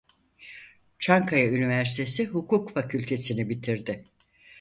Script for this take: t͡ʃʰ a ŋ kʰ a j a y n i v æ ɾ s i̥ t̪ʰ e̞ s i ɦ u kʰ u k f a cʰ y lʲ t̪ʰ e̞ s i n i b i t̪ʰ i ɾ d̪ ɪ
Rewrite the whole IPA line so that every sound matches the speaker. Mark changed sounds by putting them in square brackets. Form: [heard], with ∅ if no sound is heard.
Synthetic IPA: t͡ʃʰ a ŋ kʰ a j a y n i v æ ɾ s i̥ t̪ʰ e̞ s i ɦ u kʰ u k f a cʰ y lʲ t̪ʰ e̞ s i n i b i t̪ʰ i ɾ d̪ ɪ